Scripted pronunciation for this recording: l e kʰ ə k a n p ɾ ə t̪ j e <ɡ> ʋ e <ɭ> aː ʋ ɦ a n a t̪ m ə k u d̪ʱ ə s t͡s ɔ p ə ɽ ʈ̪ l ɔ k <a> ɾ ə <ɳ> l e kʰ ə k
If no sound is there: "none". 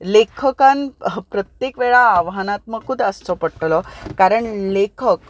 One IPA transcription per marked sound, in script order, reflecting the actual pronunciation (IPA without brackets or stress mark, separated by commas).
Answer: k, ɭ, a, ɳ